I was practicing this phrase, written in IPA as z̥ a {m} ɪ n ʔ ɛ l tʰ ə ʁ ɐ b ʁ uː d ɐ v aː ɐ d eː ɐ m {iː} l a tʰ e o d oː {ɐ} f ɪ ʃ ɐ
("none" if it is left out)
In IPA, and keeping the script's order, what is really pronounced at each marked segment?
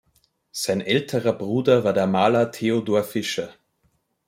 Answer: none, aː, ɐ

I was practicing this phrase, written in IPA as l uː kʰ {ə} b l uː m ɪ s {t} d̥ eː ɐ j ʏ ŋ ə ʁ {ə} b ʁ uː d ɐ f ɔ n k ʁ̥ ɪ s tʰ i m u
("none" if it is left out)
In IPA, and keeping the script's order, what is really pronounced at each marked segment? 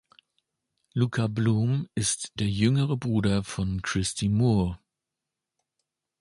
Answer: a, t, ə

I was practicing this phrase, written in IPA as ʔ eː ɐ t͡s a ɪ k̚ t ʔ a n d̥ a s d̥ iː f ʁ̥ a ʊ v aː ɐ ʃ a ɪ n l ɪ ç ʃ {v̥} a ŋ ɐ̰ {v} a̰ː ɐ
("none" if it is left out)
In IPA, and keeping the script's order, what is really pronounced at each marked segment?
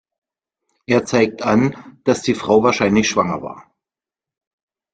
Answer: v̥, v

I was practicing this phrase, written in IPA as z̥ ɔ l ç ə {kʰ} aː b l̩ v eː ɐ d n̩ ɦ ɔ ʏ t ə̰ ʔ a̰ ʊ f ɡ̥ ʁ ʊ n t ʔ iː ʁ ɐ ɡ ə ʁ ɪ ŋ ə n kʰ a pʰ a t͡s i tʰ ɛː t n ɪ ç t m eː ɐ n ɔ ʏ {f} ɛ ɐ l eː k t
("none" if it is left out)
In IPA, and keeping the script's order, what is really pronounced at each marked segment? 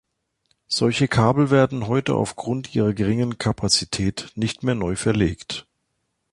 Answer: kʰ, f

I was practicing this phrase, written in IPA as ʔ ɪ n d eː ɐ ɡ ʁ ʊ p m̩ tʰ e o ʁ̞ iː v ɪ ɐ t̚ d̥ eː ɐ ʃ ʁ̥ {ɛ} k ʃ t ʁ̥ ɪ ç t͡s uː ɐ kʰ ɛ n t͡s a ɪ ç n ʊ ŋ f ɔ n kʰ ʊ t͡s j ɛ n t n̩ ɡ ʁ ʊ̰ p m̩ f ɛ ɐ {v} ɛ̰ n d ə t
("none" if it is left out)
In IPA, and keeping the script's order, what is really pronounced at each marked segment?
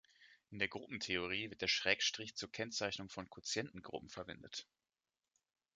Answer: ɛː, v

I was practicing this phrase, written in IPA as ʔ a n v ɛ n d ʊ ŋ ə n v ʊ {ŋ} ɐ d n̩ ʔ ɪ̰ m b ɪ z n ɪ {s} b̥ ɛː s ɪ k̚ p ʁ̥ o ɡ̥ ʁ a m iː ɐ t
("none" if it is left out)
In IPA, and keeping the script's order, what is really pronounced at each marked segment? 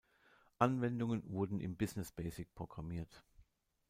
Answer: none, s

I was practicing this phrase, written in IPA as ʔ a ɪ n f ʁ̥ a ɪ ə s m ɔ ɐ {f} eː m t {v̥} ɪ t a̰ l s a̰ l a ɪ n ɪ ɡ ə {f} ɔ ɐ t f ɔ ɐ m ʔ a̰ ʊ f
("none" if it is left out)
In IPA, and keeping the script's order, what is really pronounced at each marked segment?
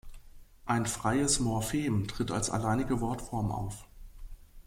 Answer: f, ʁ̥, v

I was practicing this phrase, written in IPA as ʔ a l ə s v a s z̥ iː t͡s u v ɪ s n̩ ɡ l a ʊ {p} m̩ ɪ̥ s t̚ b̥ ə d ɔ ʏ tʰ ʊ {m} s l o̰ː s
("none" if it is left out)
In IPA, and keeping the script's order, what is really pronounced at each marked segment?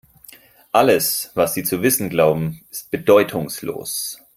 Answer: b, ŋ

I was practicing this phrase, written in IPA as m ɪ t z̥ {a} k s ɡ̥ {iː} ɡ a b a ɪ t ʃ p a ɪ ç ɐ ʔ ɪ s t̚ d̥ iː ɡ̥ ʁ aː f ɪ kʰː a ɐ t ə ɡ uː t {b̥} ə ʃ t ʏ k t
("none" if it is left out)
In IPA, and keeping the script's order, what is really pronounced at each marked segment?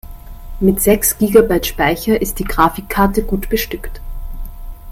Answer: ɛ, iː, b̥

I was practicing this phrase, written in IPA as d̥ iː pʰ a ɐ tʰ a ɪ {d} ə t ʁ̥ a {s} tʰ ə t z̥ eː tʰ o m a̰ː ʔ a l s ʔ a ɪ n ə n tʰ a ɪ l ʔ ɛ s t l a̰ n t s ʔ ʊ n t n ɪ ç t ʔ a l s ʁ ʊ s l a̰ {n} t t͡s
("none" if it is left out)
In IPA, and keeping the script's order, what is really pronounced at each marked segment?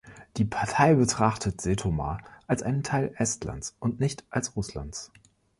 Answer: b, χ, n

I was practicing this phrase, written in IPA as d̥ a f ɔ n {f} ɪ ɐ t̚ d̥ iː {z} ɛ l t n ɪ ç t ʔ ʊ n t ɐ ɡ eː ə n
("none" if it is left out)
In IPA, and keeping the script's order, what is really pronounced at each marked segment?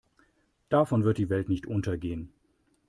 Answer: v, v

